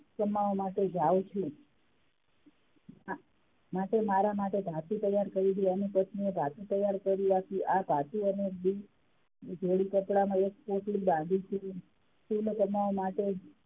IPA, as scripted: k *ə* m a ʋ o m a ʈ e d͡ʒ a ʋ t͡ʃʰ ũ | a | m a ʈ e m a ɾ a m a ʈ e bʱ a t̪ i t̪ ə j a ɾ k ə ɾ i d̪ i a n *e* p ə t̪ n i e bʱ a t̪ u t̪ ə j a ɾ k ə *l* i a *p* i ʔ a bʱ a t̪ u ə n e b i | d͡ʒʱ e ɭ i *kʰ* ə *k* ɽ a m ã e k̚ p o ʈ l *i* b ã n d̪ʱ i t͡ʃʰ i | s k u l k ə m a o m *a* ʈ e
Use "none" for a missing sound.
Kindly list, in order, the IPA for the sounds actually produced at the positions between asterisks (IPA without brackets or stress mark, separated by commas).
ə, i, ɾ, k, k, p, i, a